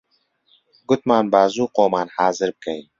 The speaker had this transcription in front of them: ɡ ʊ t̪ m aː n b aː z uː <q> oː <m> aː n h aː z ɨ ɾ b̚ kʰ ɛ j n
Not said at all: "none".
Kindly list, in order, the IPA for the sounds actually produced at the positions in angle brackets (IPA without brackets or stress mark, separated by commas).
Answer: q, m